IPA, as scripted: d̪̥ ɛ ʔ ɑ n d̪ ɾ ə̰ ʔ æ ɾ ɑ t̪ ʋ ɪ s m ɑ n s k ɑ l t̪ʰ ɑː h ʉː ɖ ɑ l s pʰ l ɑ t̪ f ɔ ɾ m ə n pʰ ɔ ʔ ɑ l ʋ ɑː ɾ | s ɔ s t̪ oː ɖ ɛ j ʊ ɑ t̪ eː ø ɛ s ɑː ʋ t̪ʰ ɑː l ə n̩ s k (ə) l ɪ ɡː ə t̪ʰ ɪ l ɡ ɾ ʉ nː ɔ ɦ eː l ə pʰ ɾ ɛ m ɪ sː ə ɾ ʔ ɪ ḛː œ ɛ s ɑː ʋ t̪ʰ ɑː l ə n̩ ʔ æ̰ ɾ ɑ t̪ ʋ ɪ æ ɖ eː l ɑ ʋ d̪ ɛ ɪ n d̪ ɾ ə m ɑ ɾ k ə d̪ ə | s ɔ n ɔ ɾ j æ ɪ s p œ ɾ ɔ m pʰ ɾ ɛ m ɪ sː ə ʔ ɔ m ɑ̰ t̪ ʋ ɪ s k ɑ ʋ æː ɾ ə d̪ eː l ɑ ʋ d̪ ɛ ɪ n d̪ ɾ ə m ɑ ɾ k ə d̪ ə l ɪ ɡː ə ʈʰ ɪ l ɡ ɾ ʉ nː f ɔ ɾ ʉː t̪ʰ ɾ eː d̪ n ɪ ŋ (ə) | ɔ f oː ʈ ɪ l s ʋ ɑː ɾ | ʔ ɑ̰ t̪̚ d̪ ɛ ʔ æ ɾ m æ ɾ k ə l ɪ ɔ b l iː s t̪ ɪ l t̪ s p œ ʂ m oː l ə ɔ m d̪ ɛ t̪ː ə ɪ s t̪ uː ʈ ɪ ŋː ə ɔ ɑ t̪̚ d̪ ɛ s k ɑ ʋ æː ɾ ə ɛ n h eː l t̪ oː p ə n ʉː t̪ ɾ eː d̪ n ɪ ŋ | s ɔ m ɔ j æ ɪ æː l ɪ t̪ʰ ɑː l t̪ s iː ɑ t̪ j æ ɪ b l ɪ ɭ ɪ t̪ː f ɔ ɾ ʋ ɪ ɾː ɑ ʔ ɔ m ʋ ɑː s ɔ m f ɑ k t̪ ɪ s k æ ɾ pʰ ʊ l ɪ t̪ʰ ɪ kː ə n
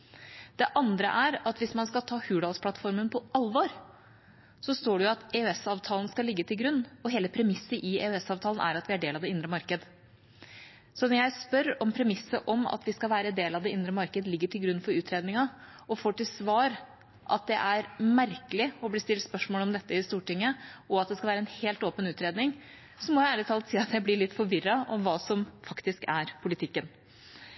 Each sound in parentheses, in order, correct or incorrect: incorrect, incorrect

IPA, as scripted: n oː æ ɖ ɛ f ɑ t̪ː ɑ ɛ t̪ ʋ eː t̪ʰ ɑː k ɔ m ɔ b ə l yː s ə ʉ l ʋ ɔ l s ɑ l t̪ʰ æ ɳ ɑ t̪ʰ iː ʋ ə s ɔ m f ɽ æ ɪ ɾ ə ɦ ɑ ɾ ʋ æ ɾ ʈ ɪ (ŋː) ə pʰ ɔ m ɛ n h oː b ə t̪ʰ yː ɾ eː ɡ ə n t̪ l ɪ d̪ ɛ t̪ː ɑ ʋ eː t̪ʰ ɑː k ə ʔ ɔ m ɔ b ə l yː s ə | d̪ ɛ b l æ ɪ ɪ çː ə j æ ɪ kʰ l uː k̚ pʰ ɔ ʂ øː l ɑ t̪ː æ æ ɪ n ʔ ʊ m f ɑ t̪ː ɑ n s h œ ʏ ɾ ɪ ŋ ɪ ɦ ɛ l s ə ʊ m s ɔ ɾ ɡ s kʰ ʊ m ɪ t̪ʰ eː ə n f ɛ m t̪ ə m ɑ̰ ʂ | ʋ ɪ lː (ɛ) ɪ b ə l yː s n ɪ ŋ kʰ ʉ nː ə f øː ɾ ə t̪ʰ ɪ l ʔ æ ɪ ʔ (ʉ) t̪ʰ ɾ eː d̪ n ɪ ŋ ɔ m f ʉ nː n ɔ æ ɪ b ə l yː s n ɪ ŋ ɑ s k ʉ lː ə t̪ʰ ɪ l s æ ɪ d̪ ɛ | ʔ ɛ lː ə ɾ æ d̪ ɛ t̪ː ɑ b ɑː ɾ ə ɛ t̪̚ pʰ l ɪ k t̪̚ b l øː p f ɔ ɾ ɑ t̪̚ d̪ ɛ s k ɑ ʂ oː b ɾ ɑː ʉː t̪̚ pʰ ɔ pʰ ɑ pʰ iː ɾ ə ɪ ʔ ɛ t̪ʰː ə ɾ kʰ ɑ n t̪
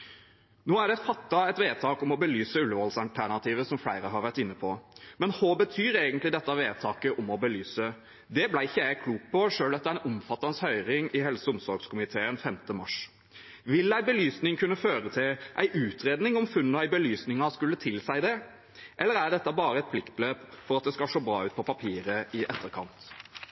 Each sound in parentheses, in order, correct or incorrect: incorrect, incorrect, incorrect

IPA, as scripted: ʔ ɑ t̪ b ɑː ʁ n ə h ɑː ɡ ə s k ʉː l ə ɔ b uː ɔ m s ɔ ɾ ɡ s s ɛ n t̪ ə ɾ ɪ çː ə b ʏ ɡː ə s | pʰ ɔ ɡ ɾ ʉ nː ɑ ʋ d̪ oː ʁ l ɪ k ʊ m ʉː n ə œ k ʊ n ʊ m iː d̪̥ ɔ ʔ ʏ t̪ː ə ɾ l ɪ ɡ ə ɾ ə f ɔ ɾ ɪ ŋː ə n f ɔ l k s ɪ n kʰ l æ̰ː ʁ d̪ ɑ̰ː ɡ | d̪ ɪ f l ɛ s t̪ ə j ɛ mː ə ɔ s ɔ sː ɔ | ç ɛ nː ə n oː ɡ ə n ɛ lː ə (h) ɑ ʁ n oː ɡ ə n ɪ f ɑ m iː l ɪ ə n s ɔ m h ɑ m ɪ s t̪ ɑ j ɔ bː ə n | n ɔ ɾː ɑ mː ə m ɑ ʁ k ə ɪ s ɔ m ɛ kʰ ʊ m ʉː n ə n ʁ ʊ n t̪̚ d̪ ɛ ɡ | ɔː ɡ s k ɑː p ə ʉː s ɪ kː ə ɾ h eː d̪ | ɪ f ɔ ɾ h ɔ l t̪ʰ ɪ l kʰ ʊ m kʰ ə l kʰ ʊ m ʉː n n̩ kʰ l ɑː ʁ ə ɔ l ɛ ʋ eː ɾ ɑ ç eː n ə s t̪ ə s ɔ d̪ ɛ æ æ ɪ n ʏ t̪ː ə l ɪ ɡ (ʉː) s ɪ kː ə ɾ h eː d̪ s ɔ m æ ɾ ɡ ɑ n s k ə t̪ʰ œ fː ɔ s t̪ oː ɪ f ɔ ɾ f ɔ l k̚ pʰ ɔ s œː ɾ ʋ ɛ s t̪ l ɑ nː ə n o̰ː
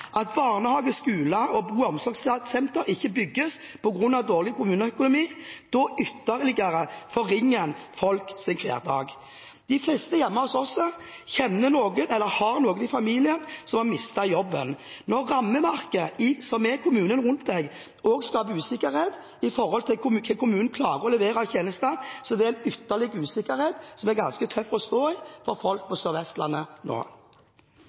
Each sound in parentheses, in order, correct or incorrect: correct, correct

